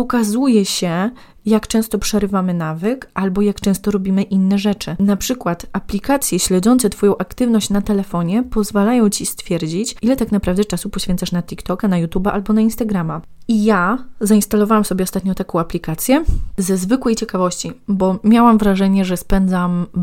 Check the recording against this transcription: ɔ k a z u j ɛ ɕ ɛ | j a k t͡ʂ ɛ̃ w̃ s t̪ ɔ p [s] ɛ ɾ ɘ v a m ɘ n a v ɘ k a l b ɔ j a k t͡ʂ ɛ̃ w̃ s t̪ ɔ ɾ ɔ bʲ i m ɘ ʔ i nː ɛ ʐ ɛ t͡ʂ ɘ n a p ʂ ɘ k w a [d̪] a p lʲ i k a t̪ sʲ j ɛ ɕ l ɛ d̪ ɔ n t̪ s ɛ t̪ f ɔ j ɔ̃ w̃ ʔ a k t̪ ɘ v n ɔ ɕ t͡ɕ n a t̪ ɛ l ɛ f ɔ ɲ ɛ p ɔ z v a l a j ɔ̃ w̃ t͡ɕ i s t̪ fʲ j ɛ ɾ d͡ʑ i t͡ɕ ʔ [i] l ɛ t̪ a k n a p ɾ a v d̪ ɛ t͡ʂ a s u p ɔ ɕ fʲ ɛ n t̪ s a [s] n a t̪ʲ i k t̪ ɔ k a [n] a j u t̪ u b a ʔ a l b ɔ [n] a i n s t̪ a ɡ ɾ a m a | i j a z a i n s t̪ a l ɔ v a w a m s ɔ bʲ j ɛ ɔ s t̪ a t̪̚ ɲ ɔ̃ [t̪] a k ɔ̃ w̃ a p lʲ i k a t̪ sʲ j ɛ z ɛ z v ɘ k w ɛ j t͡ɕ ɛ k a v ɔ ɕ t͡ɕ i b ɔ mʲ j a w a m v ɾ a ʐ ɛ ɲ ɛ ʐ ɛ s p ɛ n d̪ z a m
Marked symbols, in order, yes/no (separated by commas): no, no, yes, no, yes, yes, yes